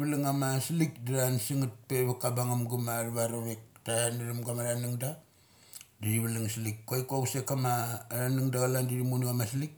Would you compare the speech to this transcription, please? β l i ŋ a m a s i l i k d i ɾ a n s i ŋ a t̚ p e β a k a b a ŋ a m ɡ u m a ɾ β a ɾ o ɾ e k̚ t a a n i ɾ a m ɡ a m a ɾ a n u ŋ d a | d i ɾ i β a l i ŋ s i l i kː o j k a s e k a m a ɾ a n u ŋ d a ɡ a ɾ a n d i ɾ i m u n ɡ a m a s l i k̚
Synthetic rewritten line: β l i ŋ a m a s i l i k d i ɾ a n s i ŋ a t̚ p e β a k a b a ŋ a m ɡ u m a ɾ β a ɾ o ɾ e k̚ t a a n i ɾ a m ɡ a m a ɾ a n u ŋ d a | d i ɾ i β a l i ŋ s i l i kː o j k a s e k a m a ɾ a n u ŋ d a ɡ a l a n d i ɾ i m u n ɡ a m a s l i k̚

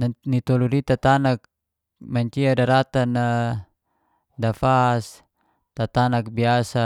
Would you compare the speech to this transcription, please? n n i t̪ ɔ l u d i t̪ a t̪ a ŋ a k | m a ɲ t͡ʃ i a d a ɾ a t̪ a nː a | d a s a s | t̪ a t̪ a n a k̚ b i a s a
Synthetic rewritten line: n n i t̪ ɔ l u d i t̪ a t̪ a n a k | m a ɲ t͡ʃ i a d a ɾ a t̪ a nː a | d a f a s | t̪ a t̪ a n a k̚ b i a s a

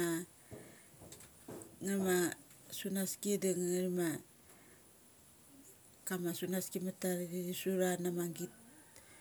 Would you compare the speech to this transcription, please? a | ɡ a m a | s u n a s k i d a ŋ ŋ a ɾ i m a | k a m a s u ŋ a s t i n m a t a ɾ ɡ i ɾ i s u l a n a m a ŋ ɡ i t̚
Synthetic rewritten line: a | ŋ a m a | s u n a s k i d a ŋ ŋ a ɾ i m a | k a m a s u n a s k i m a t a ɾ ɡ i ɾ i s u ɾ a n a m a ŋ ɡ i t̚

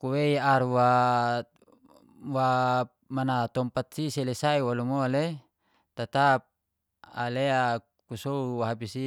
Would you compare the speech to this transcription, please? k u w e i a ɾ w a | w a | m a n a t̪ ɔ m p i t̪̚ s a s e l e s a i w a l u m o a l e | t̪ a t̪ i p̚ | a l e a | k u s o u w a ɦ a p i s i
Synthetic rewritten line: k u w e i a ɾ w a | w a | m a n a t̪ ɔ m p a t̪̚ s i s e l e s a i w a l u m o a l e | t̪ a t̪ a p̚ | a l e a | k u s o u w a ɦ a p i s i

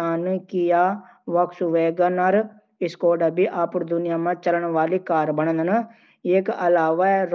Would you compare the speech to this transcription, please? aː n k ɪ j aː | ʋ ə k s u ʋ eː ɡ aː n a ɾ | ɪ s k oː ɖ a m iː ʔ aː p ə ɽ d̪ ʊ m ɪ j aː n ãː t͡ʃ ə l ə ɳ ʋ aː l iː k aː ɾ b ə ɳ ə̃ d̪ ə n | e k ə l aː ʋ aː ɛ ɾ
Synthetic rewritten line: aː n k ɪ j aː | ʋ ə k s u ʋ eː ɡ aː n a ɾ | ɪ s k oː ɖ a b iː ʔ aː p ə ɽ d̪ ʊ n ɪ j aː m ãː t͡ʃ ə l ə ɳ ʋ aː l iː k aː ɾ b ə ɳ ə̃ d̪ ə n | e k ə l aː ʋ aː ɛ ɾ

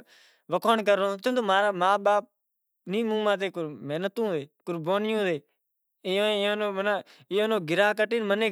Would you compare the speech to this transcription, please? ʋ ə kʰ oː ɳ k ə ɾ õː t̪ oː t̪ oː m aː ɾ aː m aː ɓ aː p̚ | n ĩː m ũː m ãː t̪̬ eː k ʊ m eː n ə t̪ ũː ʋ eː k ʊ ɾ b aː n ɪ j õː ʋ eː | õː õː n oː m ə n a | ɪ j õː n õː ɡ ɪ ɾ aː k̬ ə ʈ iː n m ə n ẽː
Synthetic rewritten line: ʋ ə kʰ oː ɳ k ə ɾ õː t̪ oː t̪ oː m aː ɾ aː m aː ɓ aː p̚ | n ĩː m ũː m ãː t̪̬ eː k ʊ m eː n ə t̪ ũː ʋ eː k ʊ ɾ b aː n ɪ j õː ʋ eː | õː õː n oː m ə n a | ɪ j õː n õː ɡ ɪ ɾ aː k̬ ə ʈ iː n m ə n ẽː

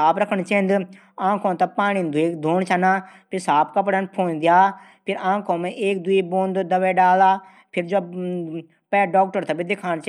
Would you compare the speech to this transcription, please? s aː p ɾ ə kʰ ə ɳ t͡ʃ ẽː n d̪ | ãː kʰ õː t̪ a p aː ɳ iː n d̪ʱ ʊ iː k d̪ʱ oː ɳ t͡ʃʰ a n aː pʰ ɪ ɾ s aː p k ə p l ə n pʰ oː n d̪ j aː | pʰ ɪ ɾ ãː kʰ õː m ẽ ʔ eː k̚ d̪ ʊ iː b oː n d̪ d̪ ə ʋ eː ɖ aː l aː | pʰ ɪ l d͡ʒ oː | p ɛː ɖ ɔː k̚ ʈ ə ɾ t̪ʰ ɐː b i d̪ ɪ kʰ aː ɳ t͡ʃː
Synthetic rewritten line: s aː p ɾ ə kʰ ə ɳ t͡ʃ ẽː n d̪ | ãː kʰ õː t̪ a p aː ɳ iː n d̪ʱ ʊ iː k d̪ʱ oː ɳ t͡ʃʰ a n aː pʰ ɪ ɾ s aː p k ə p ɽ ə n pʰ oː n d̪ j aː | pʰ ɪ ɾ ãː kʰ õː m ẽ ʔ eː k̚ d̪ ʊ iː b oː n d̪ d̪ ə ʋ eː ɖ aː l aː | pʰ ɪ ɾ d͡ʒ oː | p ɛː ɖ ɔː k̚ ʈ ə ɾ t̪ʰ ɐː b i d̪ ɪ kʰ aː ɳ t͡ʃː

